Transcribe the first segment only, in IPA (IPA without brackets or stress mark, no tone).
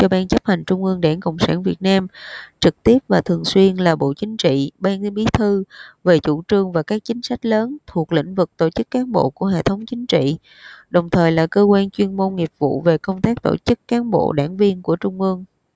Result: t͡ɕ